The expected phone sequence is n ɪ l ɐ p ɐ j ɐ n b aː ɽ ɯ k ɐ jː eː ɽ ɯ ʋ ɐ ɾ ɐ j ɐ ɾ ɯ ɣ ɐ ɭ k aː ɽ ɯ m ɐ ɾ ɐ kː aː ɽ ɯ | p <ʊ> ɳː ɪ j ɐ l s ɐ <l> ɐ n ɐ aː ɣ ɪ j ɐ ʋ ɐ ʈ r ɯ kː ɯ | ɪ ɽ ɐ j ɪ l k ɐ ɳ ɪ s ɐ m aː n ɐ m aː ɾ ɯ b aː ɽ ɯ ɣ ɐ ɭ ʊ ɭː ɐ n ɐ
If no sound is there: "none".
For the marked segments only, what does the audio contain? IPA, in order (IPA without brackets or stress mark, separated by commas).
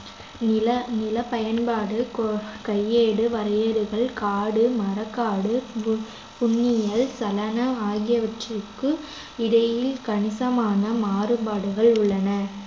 ʊ, l